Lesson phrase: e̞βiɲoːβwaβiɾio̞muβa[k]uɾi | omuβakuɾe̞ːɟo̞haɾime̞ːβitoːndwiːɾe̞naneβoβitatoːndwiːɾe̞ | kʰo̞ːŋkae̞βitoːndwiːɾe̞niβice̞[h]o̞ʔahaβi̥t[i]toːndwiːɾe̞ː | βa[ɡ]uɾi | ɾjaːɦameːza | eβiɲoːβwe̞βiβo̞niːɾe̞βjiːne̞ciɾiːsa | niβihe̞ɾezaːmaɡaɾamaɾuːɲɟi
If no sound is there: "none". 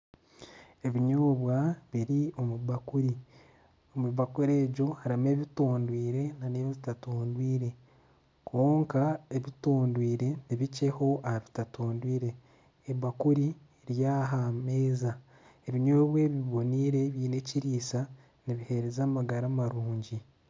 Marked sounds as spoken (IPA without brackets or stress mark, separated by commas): k, h, a, k